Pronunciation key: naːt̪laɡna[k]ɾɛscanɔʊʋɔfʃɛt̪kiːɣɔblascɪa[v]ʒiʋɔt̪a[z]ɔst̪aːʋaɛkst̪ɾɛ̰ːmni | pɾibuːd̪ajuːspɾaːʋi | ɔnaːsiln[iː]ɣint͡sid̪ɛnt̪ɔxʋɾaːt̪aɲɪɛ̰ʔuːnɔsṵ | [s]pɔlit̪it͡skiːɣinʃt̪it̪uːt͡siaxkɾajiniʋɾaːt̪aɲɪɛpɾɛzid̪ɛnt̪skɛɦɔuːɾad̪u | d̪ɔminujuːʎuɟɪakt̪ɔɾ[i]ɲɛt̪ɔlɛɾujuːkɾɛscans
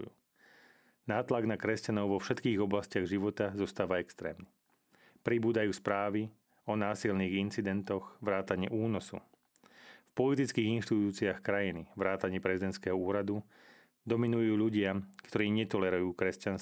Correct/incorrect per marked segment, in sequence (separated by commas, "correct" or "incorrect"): correct, incorrect, correct, correct, incorrect, incorrect